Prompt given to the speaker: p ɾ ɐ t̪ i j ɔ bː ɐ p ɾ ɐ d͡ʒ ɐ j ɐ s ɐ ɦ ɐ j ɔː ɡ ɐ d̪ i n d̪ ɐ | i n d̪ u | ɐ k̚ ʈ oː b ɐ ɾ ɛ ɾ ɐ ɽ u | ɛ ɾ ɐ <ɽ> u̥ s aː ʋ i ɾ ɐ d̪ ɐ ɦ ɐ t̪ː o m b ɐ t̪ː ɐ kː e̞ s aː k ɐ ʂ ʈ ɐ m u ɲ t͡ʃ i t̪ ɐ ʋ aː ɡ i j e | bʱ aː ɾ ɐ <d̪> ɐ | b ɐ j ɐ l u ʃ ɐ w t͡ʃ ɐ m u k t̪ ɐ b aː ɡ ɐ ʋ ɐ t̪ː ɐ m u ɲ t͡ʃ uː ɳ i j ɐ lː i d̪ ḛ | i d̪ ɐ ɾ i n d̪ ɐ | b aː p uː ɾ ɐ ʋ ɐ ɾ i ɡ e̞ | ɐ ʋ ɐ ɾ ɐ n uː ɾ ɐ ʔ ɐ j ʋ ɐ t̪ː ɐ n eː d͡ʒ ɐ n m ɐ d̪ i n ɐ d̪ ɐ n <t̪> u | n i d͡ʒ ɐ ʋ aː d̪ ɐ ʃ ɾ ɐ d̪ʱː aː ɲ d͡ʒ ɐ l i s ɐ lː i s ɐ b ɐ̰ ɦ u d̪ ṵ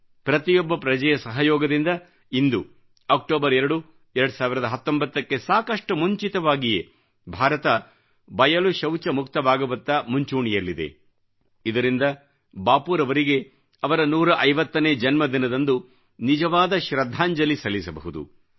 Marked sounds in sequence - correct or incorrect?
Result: correct, incorrect: t̪, incorrect: d̪

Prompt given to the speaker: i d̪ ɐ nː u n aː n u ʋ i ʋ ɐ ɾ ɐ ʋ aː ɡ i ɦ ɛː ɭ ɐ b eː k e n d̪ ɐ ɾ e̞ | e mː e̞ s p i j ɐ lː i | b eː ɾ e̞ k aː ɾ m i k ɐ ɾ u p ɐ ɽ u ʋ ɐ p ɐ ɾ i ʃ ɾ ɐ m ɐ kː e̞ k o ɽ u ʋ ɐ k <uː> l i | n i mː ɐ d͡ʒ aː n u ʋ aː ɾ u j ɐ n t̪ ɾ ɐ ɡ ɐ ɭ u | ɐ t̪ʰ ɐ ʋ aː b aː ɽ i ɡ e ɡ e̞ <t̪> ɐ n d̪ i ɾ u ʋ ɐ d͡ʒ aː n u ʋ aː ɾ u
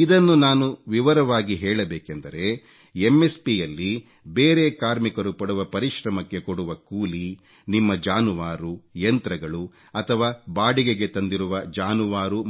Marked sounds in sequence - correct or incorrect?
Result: correct, correct

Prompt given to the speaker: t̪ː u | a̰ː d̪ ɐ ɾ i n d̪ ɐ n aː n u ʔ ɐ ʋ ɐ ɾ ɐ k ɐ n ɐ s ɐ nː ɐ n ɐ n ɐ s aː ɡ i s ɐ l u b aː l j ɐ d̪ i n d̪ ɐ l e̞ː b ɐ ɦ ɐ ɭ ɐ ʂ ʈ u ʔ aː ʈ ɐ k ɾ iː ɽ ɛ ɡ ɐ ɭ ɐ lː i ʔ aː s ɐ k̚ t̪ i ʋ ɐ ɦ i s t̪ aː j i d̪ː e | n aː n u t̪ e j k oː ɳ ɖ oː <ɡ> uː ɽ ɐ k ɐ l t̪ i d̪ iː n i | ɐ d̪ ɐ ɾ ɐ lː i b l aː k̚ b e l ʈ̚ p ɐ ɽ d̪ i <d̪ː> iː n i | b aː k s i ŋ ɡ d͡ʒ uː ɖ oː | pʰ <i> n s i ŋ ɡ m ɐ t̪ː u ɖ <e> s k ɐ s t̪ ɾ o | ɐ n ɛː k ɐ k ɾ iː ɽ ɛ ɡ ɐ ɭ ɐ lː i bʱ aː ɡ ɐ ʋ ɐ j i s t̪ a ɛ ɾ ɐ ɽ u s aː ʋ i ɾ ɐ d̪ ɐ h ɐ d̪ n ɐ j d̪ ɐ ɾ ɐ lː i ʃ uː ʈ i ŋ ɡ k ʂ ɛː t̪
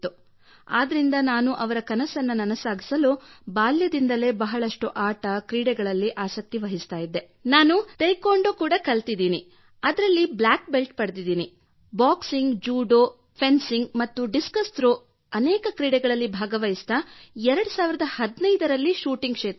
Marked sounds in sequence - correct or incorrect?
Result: incorrect: k, incorrect: d̪, incorrect: e, incorrect: i

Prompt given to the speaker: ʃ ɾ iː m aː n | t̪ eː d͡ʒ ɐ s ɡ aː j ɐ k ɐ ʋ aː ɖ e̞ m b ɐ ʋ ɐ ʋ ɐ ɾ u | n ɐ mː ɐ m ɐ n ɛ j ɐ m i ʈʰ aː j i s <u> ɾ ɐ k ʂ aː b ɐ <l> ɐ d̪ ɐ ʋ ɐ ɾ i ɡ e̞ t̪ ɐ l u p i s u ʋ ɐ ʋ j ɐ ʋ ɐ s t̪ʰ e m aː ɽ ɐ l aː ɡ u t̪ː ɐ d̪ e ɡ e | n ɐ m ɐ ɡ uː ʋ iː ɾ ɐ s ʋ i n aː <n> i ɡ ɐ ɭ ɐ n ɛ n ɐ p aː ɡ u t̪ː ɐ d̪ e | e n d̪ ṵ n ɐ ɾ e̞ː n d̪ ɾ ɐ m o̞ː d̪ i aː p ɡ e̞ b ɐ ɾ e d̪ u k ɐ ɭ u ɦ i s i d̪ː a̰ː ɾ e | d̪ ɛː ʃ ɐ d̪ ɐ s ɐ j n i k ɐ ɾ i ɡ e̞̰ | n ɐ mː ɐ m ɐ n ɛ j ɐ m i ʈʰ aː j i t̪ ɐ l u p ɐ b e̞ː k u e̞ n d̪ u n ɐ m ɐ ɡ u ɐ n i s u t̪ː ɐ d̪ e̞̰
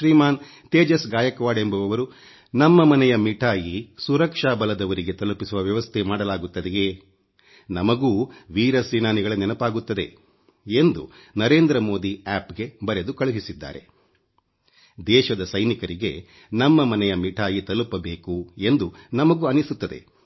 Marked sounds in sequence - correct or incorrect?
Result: correct, correct, correct

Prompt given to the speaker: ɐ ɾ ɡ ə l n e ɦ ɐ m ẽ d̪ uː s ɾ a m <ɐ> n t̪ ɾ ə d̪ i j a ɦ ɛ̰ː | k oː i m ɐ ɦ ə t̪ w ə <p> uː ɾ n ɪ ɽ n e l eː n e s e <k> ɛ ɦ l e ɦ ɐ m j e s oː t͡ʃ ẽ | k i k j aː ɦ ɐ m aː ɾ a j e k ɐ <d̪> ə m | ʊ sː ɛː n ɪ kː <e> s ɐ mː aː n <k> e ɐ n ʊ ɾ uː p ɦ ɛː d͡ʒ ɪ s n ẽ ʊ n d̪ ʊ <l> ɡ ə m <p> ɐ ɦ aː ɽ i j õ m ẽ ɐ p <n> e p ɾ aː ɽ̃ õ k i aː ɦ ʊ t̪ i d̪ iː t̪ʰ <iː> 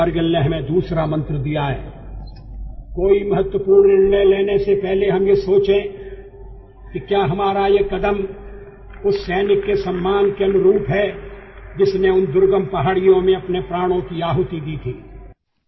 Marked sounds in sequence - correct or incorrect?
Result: incorrect: ɐ̃, correct, incorrect: p, correct, correct, correct, incorrect: ɾ, correct, correct, correct

